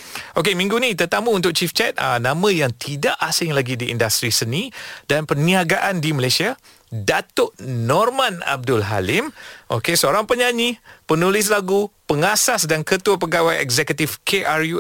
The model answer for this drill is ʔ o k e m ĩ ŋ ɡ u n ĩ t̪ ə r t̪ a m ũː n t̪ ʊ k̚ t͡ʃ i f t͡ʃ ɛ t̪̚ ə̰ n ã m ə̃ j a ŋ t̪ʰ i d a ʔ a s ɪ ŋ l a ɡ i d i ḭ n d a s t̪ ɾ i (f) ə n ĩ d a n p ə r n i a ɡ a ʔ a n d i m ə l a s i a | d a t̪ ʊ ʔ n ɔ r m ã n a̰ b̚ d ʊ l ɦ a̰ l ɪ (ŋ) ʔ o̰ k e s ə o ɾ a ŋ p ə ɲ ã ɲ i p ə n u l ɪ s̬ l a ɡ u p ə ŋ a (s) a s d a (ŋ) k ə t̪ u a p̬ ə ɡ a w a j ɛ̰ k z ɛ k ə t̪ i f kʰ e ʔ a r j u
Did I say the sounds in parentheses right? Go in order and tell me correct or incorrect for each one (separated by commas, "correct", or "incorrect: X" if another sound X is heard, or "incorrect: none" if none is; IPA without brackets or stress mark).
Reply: incorrect: s, incorrect: m, correct, incorrect: n